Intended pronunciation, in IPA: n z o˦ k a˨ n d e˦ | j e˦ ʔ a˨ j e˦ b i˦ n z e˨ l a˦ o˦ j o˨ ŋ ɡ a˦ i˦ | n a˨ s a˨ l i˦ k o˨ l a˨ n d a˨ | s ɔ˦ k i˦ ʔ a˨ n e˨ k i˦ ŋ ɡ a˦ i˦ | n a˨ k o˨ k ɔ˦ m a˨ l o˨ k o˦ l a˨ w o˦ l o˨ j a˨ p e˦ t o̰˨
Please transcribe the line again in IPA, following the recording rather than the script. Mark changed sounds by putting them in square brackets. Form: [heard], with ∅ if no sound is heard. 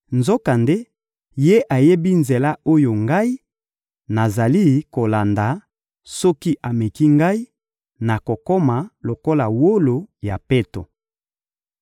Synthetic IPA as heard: n z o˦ k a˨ n d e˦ | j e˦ ʔ a˨ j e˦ b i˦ n z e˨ l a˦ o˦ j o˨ ŋ ɡ a˦ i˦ | n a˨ [z] a˨ l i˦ k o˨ l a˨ n d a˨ | s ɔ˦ k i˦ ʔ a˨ [m] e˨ k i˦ ŋ ɡ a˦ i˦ | n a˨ k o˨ k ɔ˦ m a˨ l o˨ k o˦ l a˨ w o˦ l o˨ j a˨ p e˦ t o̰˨